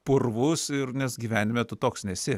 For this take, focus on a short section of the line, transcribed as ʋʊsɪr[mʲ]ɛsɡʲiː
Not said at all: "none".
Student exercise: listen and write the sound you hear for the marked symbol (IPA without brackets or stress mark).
nʲ